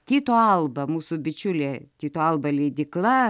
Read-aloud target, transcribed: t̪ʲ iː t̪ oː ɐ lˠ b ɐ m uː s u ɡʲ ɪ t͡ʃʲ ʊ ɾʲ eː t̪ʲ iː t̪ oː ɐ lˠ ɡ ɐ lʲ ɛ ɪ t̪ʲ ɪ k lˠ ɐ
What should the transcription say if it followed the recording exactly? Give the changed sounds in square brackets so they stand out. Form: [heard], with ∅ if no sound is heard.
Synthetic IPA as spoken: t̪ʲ iː t̪ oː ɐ lˠ b ɐ m uː s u [bʲ] ɪ t͡ʃʲ ʊ [lʲ] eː t̪ʲ iː t̪ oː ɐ lˠ [b] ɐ lʲ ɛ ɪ [d̪ʲ] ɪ k lˠ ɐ